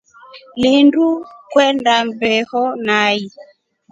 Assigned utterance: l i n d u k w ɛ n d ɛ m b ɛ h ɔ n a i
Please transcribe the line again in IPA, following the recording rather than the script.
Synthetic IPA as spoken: l i n d u k w ɛ n d a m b ɛ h ɔ n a i